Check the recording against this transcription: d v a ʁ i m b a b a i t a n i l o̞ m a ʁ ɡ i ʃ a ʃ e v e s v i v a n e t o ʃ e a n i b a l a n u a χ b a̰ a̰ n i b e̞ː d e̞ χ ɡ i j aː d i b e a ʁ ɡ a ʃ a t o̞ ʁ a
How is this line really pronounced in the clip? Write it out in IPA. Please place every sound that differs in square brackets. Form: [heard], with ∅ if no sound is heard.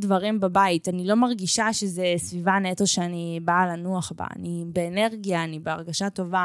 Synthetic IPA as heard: d v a ʁ i m b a b a i t a n i l o̞ m a ʁ ɡ i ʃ a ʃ e [z] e s v i v a n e t o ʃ e a n i b a l a n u a χ b a̰ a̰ n i b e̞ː [n] e̞ [ʁ] ɡ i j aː [n] i b e a ʁ ɡ a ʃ a t o̞ [v] a